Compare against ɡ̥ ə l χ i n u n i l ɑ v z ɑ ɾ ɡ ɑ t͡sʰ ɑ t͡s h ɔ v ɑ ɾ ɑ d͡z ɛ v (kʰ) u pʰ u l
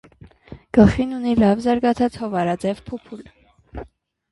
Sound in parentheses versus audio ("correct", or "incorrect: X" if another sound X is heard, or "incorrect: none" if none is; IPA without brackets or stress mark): incorrect: pʰ